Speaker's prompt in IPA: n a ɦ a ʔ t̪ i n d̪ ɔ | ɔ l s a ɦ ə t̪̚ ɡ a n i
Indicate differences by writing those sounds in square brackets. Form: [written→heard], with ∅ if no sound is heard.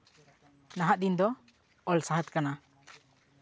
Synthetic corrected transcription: n a ɦ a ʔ [t̪→d̪] i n d̪ ɔ | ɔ l s a ɦ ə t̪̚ [ɡ→k] a n [i→a]